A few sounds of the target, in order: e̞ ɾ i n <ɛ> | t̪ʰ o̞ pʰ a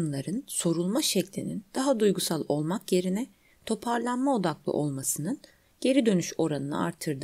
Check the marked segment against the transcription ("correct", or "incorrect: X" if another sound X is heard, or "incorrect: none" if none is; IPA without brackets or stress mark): correct